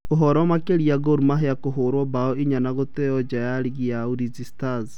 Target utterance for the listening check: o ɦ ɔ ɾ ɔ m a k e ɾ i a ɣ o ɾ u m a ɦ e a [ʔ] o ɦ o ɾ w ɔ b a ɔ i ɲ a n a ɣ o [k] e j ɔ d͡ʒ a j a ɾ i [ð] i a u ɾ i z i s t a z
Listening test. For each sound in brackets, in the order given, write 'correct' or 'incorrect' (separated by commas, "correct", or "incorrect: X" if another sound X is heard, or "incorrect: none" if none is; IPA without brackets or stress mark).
incorrect: k, incorrect: t, incorrect: ɣ